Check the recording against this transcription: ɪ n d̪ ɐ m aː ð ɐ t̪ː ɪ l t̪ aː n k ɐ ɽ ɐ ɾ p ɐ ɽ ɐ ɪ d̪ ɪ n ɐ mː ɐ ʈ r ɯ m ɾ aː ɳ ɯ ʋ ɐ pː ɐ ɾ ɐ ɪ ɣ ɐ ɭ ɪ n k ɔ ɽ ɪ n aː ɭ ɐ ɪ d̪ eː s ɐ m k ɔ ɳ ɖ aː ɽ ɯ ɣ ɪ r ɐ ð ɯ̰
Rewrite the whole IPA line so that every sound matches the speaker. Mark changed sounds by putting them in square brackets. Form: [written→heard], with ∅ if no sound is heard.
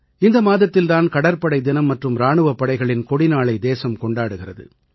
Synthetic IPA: ɪ n d̪ ɐ m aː ð ɐ t̪ː ɪ l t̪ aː n k ɐ ɽ ɐ ɾ p ɐ ɽ ɐ ɪ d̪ ɪ n ɐ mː ɐ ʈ r ɯ m ɾ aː ɳ ɯ ʋ ɐ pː ɐ [ɾ→ɽ] ɐ ɪ ɣ ɐ ɭ ɪ n k ɔ ɽ ɪ n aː ɭ ɐ ɪ d̪ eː s ɐ m k ɔ ɳ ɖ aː ɽ ɯ ɣ ɪ r ɐ ð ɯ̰

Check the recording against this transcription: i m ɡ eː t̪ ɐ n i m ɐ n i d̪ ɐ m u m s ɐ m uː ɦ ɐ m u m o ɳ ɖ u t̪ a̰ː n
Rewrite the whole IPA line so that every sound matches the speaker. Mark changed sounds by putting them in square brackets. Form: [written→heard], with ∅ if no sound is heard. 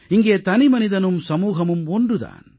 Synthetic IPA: i [m→ŋ] ɡ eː t̪ ɐ n i m ɐ n i d̪ ɐ [m→n] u m s ɐ m uː ɦ ɐ m u m o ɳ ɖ u [t̪→d̪] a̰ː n

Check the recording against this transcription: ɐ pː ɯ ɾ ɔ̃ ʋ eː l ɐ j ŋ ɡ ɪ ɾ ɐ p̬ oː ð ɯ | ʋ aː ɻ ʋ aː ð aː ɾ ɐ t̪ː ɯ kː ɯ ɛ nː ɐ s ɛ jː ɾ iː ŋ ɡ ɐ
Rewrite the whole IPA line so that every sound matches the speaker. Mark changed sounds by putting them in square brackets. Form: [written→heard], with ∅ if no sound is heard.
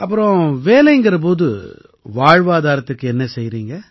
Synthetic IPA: ɐ pː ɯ ɾ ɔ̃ ʋ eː l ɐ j ŋ ɡ ɪ ɾ ɐ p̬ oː ð ɯ | ʋ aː ɻ ʋ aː ð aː ɾ ɐ t̪ː ɯ kː ɯ ɛ nː ɐ s ɛ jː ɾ iː ŋ ɡ ɐ

